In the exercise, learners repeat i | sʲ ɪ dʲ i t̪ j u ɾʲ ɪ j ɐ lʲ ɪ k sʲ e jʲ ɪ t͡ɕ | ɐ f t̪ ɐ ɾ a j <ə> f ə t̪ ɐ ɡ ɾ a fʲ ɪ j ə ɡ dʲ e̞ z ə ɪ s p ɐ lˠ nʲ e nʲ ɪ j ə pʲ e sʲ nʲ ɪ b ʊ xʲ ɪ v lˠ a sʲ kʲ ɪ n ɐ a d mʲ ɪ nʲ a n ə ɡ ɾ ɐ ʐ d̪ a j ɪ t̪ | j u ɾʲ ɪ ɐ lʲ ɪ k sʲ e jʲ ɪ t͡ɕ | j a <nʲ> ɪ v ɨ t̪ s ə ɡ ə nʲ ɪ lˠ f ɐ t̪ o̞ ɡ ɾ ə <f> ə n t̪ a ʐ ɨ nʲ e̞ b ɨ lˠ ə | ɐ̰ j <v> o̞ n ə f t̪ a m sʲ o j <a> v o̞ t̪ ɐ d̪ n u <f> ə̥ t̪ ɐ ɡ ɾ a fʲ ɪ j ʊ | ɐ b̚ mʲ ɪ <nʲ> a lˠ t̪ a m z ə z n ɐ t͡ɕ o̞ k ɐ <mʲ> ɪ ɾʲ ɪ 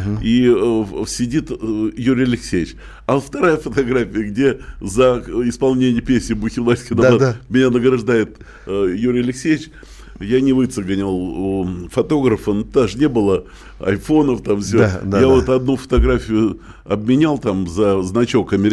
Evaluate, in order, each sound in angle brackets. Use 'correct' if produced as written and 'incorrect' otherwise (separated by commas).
correct, correct, correct, incorrect, correct, correct, correct, correct